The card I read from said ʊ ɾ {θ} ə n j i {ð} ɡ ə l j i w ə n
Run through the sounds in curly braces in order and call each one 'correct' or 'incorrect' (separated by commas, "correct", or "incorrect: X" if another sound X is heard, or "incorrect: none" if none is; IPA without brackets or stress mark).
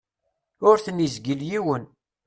correct, incorrect: z